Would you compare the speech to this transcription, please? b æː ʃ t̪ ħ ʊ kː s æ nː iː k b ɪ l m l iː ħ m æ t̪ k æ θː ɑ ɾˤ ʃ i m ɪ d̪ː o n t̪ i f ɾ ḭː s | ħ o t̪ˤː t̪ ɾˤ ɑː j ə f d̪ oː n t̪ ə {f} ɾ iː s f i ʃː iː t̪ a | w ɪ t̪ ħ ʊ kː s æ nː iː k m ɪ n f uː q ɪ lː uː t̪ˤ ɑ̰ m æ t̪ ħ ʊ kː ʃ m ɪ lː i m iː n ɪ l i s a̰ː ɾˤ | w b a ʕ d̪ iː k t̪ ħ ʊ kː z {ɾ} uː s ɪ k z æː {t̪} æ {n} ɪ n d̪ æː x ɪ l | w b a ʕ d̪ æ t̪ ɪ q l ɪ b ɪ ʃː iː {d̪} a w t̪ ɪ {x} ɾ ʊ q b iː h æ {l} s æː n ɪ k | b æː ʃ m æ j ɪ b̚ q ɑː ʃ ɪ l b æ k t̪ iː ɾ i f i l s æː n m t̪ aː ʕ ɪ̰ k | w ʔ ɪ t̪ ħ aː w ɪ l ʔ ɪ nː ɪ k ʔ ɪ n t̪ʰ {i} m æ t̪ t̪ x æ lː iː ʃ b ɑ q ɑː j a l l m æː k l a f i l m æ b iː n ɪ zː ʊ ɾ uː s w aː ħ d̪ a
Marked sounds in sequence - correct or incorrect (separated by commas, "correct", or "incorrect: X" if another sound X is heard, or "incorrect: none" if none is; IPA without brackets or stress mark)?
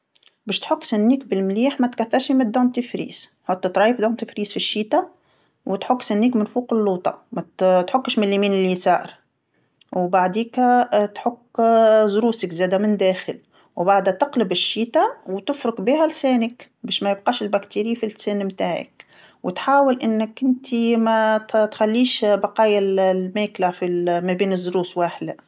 correct, correct, incorrect: d̪, incorrect: m, incorrect: t̪, incorrect: f, correct, correct